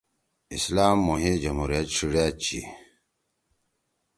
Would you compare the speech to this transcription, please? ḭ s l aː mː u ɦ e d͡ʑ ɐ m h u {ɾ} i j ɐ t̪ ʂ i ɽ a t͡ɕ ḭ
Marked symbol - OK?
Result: yes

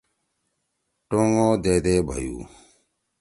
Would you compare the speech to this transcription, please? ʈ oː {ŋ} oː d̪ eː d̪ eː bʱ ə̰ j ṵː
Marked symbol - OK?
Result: yes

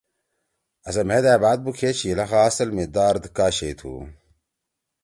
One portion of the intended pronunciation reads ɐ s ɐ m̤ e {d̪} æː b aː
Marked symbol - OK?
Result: yes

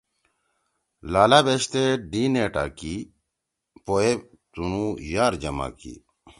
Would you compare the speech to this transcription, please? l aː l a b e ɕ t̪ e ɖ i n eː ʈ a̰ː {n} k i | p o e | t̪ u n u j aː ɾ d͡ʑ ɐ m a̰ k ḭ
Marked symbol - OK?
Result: no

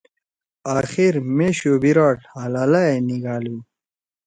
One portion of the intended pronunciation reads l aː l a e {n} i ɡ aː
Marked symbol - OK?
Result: yes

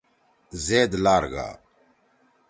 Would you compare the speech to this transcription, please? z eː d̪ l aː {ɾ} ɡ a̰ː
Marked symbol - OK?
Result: yes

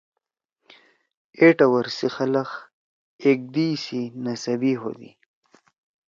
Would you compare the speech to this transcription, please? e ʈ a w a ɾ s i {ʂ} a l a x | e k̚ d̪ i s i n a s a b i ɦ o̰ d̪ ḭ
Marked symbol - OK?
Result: no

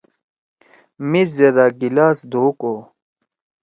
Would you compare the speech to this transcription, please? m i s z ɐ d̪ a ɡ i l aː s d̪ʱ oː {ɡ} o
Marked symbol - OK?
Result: no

